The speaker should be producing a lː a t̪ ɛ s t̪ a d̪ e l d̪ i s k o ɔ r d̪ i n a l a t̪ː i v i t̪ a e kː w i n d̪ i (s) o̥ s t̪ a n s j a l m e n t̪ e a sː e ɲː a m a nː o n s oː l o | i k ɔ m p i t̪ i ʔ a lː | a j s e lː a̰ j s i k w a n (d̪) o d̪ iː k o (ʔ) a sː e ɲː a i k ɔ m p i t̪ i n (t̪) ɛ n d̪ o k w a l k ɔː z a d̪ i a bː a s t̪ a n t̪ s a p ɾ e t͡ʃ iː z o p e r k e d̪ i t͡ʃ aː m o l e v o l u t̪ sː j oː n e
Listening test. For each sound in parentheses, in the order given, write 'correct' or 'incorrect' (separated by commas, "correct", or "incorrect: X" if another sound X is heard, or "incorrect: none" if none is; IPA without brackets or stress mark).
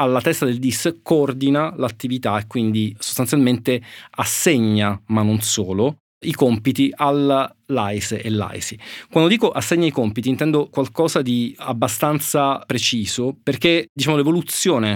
correct, correct, correct, correct